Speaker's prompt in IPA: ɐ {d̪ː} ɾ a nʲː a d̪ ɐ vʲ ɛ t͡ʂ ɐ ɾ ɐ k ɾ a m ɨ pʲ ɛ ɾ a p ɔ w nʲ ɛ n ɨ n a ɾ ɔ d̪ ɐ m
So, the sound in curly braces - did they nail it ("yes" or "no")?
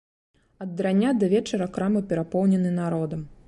yes